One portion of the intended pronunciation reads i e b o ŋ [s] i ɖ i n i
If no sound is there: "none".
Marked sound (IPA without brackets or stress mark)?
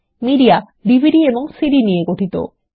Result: s